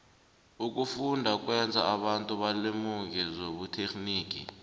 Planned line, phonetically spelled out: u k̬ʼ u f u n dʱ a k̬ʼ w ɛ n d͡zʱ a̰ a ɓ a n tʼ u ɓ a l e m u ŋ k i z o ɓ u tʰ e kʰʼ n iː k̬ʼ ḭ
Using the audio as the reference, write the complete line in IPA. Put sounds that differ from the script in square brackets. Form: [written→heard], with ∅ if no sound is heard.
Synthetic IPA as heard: u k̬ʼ u f u n dʱ a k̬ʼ w ɛ n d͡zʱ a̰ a ɓ a n tʼ u ɓ a l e m u ŋ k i z o ɓ u tʰ e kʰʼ n iː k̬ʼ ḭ